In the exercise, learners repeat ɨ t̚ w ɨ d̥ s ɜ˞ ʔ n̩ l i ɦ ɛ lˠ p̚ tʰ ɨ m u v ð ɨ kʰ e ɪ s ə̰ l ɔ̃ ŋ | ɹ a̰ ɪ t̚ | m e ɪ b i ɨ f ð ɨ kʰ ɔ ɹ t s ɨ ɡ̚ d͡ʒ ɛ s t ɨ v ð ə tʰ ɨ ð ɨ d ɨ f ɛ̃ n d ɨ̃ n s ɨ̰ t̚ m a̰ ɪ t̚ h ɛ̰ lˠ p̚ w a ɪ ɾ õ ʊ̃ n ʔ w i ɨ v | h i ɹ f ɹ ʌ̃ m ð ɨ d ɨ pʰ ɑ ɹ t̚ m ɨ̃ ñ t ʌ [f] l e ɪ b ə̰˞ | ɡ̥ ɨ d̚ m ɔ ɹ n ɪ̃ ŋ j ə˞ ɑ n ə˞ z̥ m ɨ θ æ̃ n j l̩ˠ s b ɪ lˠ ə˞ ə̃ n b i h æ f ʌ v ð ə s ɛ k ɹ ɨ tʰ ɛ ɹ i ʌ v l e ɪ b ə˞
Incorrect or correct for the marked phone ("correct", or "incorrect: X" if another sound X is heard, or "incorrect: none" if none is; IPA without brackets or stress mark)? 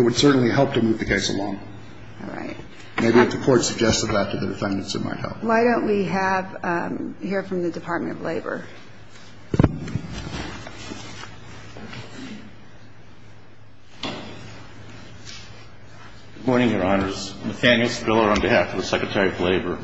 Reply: incorrect: v